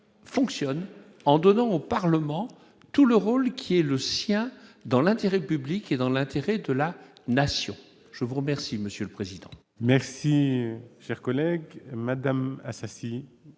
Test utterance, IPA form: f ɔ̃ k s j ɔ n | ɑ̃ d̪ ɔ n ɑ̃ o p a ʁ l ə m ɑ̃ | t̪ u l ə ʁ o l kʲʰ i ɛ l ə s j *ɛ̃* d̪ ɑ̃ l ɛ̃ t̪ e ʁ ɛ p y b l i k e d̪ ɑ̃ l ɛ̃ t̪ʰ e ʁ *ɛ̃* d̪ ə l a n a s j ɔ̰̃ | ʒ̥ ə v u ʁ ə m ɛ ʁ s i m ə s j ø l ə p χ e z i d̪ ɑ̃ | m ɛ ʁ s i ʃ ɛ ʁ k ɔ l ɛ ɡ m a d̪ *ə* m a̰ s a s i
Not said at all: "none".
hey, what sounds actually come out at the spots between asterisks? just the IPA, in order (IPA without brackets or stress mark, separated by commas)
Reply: ɛ̃, ɛ, a